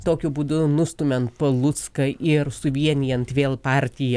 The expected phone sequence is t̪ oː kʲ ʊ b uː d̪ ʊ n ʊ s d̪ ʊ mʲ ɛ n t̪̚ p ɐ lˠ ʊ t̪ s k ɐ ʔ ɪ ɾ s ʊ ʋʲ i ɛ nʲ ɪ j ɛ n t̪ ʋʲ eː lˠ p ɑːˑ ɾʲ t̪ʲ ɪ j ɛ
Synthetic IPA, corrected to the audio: t̪ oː kʲ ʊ b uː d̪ ʊ n ʊ s t̪ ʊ mʲ ɛ n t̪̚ p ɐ lˠ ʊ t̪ s k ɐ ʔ ɪ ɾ s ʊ ʋʲ i ɛ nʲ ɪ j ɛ n t̪ ʋʲ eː lˠ p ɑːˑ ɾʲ t̪ʲ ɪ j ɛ